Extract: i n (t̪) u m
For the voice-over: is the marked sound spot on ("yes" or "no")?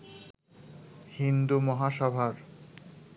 no